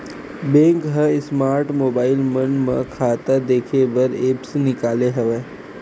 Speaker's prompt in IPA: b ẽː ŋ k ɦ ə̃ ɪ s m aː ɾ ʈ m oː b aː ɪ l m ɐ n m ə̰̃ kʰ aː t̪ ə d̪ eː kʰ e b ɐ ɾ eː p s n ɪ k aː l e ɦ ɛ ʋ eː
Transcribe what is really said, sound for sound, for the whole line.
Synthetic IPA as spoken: b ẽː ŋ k ɦ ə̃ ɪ s m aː ɾ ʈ m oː b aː ɪ l m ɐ n m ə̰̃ kʰ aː t̪ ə d̪ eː kʰ e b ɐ ɾ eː p s n ɪ k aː l e ɦ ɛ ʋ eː